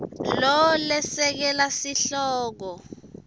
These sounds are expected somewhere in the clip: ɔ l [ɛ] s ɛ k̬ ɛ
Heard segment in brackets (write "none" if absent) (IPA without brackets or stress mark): ɛ